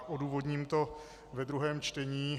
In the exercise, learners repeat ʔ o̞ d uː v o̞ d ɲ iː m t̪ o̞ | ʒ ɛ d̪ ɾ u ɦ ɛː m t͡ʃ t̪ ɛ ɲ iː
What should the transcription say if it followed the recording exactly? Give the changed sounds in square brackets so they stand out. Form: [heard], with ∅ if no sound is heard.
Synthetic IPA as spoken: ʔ o̞ d uː v o̞ d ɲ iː m t̪ o̞ | [v] ɛ d̪ ɾ u ɦ ɛː m t͡ʃ t̪ ɛ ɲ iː